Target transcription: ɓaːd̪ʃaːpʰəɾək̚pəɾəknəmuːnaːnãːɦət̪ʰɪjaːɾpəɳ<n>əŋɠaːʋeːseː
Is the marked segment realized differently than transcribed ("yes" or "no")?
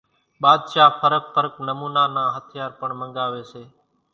yes